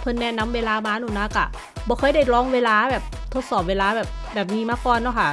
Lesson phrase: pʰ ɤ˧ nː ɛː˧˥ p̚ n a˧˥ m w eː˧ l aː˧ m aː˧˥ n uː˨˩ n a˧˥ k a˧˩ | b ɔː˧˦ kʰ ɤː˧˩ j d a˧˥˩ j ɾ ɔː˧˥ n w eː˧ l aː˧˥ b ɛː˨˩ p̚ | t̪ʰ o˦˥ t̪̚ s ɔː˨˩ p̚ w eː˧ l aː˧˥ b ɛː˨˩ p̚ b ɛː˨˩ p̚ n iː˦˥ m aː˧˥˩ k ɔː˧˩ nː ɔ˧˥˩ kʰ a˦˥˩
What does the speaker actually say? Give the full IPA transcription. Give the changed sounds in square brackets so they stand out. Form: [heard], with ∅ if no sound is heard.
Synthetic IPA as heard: pʰ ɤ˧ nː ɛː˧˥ [∅] n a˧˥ m w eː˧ l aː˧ m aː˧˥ n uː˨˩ n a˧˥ k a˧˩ | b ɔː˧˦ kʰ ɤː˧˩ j d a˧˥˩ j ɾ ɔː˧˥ [ŋ] w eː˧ l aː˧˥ b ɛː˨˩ p̚ | t̪ʰ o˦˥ t̪̚ s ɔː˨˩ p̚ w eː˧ l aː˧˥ b ɛː˨˩ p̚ b ɛː˨˩ p̚ n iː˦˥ m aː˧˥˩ k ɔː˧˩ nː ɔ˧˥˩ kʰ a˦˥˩